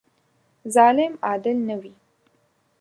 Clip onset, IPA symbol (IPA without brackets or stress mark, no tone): z